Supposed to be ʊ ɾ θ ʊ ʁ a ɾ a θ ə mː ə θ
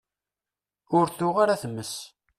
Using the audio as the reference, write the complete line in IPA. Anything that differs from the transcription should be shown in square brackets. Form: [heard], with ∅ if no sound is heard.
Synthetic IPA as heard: ʊ ɾ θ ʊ ʁ a ɾ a θ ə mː ə [s]